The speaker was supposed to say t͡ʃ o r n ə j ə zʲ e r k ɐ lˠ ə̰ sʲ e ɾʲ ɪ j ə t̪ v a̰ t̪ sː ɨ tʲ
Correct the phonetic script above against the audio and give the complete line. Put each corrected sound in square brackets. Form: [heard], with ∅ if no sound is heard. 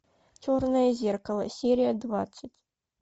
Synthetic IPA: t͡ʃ o r n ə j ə zʲ e r k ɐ lˠ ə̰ sʲ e ɾʲ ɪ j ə [d̪] v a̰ t̪ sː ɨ tʲ